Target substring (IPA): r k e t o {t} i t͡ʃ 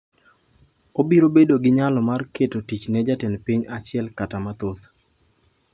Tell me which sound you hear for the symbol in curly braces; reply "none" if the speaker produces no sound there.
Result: t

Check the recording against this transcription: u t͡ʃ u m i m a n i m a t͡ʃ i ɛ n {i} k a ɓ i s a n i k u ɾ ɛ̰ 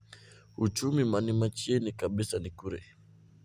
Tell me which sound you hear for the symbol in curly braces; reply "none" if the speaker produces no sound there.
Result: i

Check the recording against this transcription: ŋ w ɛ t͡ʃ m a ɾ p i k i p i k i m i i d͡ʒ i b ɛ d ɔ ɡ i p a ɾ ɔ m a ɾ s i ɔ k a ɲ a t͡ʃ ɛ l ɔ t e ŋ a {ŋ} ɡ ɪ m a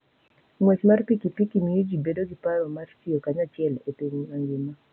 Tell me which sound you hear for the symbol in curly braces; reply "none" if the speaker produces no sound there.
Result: ŋ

